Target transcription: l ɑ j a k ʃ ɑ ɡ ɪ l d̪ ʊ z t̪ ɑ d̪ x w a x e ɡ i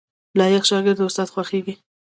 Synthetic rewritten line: l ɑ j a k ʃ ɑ ɡ ɪ ɾ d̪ ʊ s t̪ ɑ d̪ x w a x e ɡ i